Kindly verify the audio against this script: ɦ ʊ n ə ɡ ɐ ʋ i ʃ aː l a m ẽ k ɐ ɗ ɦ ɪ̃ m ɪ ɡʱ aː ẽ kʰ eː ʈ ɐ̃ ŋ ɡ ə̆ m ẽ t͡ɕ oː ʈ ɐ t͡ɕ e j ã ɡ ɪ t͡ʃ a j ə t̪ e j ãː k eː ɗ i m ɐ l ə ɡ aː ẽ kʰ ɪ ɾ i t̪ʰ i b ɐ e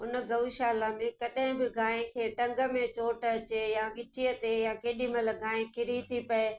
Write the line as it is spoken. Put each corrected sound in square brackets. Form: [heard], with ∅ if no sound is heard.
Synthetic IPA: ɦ ʊ n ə ɡ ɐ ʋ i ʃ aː l a m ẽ k ɐ ɗ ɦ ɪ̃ [b] ɪ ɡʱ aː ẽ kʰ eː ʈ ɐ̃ ŋ ɡ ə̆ m ẽ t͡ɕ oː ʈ ɐ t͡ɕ e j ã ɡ ɪ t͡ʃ [i] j ə t̪ e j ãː k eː ɗ i m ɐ l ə ɡ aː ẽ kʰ ɪ ɾ i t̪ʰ i [p] ɐ e

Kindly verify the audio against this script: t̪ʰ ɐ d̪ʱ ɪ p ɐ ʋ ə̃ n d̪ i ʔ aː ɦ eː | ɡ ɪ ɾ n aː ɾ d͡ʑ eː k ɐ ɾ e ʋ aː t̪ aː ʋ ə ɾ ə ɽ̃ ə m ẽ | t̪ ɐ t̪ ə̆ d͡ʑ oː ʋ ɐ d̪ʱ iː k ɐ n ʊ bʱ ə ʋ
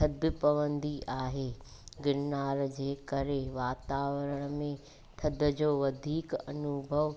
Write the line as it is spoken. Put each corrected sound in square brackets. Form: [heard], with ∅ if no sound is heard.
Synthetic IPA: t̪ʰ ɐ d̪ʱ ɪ p ɐ ʋ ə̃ n d̪ i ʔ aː ɦ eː | ɡ ɪ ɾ n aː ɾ d͡ʑ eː k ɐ ɾ e ʋ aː t̪ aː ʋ ə ɾ ə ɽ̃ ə m ẽ | [t̪ʰ] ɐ [d̪] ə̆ d͡ʑ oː ʋ ɐ d̪ʱ iː k ɐ n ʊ bʱ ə ʋ

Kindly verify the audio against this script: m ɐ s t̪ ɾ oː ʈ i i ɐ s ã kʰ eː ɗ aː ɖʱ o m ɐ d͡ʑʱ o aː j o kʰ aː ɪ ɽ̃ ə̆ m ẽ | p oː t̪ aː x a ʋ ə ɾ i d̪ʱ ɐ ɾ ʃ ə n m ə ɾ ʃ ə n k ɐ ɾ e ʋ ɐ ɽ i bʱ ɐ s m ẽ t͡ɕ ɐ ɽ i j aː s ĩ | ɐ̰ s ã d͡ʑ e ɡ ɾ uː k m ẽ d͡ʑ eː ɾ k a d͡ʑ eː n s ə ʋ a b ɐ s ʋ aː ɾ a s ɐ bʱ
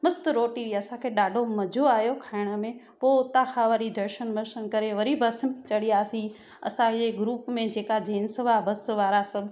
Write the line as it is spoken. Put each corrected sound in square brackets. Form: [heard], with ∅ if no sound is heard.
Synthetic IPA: m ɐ s t̪ ɾ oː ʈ i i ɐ s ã kʰ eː ɗ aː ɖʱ o m ɐ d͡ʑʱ o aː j o kʰ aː ɪ ɽ̃ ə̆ m ẽ | p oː t̪ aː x a ʋ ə ɾ i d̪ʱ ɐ ɾ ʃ ə n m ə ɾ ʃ ə n k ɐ ɾ e ʋ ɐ [ɾ] i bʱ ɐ s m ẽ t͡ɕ ɐ ɽ i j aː s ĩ | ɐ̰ s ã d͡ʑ e ɡ ɾ uː [p] m ẽ d͡ʑ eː [∅] k a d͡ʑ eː n s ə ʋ a b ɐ s ʋ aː ɾ a s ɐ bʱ

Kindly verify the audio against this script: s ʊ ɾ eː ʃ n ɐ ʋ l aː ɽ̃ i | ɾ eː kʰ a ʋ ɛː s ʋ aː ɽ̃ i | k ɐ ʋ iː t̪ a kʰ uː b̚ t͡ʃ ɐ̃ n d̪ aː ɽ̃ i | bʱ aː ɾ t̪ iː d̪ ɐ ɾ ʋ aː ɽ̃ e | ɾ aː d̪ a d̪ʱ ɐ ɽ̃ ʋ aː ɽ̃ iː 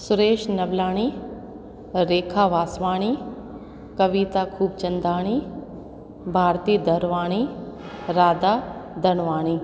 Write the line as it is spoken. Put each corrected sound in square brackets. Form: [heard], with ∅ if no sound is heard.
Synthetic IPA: s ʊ ɾ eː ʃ n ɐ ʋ l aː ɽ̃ i | ɾ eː kʰ a ʋ [aː] s ʋ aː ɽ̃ i | k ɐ ʋ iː t̪ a kʰ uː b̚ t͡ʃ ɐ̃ n d̪ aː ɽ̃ i | bʱ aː ɾ t̪ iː d̪ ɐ ɾ ʋ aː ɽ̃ [i] | ɾ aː d̪ a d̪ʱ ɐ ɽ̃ ʋ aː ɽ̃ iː

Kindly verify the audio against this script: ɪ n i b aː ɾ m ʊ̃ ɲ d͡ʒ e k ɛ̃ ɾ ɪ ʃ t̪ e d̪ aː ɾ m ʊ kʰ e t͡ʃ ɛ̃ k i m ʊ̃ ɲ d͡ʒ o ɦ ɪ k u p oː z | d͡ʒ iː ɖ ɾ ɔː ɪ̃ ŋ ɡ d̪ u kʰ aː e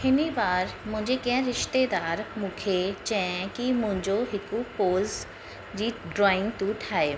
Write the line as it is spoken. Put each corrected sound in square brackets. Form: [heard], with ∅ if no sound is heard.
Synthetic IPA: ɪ n i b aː ɾ m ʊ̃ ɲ d͡ʒ e k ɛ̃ ɾ ɪ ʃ t̪ e d̪ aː ɾ m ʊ kʰ e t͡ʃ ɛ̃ k i m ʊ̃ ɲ d͡ʒ o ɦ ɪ k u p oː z | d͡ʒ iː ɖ ɾ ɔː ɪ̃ ŋ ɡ [t̪] u [ʈʰ] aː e

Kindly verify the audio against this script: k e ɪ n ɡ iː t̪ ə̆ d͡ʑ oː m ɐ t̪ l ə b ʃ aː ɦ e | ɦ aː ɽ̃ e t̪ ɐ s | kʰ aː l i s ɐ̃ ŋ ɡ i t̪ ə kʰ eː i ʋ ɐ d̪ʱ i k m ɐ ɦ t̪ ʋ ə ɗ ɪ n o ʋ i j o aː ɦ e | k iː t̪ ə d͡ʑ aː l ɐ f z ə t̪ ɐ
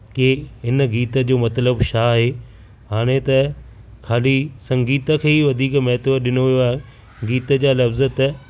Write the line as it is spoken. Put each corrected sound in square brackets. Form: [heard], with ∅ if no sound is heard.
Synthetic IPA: k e ɪ n ɡ iː t̪ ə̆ d͡ʑ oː m ɐ t̪ l ə b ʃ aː ɦ e | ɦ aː ɽ̃ e t̪ ɐ [∅] | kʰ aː l i s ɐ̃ ŋ ɡ [iː] t̪ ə kʰ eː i ʋ ɐ d̪ʱ [iː] k m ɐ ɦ t̪ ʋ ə ɗ ɪ n o ʋ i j o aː ɦ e | [ɡ] iː t̪ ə d͡ʑ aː l ɐ f z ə t̪ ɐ

